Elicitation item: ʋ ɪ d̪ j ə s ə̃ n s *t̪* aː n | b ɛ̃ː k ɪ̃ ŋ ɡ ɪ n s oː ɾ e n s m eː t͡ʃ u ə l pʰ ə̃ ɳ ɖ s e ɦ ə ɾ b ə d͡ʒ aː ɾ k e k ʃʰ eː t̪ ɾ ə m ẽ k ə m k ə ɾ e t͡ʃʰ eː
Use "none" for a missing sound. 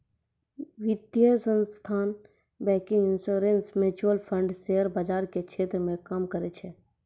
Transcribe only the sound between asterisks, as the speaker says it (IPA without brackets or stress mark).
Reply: t̪ʰ